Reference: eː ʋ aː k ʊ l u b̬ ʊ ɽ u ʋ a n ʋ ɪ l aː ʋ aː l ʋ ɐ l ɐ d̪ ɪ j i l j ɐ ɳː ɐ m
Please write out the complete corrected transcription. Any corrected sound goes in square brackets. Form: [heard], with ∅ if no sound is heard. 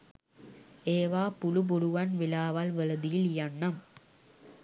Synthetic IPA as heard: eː ʋ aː [p] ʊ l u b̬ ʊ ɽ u ʋ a n ʋ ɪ l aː ʋ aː l ʋ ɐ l ɐ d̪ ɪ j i l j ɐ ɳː ɐ m

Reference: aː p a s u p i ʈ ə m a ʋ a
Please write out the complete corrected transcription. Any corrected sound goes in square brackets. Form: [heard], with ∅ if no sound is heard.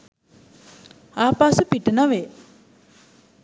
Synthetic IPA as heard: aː p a s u p i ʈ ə [n] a ʋ [e]

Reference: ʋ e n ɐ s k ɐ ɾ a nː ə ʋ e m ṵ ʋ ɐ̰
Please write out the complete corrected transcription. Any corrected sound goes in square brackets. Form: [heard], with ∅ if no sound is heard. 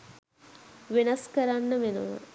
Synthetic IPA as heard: ʋ e n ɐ s k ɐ ɾ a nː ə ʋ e [n] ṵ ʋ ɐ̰

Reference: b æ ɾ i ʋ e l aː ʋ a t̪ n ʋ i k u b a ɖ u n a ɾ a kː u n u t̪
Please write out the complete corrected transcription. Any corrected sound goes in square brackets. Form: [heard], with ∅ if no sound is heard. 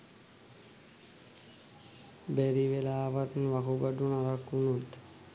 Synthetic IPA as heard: b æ ɾ i ʋ e l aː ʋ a t̪ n ʋ [a] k u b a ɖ u n a ɾ a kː u n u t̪

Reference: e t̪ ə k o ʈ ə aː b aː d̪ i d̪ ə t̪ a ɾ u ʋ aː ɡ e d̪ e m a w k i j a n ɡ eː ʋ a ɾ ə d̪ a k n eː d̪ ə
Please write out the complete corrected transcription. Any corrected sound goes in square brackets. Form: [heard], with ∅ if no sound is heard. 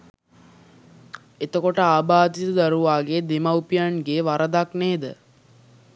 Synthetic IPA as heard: e t̪ ə k o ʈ ə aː b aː d̪ i [t̪] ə [d̪] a ɾ u ʋ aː ɡ e d̪ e m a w [p] i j a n ɡ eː ʋ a ɾ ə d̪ a k n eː d̪ ə

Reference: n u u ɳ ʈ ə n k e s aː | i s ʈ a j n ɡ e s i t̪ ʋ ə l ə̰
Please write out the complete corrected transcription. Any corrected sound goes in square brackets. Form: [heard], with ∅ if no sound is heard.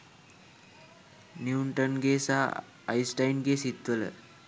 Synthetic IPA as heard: n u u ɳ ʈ ə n [ɡ] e s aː | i s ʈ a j n ɡ e s i t̪ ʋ ə l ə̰

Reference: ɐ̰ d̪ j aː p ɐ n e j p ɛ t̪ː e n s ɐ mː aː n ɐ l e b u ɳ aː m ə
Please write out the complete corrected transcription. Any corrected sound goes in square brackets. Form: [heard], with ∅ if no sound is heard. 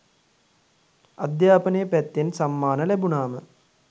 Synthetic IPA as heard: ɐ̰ d̪ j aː p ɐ n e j p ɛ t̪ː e n s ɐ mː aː n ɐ l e b u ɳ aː m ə

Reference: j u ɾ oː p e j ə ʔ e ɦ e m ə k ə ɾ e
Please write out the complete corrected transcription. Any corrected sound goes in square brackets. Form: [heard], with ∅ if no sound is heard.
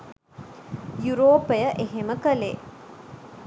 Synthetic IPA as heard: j u ɾ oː p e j ə ʔ e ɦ e m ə k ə [l] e

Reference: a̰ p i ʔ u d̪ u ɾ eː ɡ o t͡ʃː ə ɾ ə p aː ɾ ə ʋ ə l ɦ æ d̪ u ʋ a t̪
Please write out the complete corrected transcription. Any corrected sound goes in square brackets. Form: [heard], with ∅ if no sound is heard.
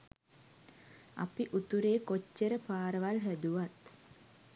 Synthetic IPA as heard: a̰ p i ʔ u [t̪] u ɾ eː [k] o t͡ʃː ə ɾ ə p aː ɾ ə ʋ [a] l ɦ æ d̪ u ʋ a t̪

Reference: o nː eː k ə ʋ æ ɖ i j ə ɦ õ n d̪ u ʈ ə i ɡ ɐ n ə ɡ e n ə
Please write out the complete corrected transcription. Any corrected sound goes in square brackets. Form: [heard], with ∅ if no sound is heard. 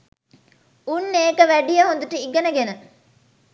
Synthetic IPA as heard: [u] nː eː k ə ʋ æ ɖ i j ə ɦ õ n d̪ u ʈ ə i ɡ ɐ n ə ɡ e n ə

